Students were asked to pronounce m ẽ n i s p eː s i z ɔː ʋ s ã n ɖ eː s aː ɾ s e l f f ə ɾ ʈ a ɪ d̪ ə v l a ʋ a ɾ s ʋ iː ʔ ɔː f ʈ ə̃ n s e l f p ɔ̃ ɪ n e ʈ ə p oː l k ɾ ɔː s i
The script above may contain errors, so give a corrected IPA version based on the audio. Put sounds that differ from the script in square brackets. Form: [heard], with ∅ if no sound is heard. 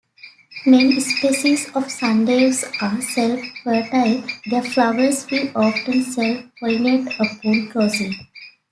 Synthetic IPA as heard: m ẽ n i s p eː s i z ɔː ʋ s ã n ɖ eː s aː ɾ s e l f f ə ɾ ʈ a ɪ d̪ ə [f] l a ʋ [ə] ɾ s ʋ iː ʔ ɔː f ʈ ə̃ n s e l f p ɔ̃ ɪ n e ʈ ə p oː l k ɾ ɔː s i